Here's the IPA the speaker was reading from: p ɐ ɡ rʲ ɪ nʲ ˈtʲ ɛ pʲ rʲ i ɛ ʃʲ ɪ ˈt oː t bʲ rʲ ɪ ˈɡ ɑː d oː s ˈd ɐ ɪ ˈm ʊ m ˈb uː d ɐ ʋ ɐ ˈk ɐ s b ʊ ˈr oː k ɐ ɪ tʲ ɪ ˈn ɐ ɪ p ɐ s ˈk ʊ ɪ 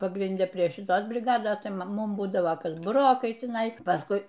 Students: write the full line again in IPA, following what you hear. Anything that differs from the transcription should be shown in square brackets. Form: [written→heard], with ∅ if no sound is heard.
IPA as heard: p ɐ ɡ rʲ ɪ nʲ [ˈtʲ→ˈdʲ] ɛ pʲ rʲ i ɛ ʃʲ ɪ ˈt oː [t→s] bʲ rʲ ɪ ˈɡ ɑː d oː s [ˈd→ˈt] ɐ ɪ ˈm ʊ m ˈb uː d ɐ ʋ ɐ ˈk ɐ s b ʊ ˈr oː k ɐ ɪ tʲ ɪ ˈn ɐ ɪ p ɐ s ˈk ʊ ɪ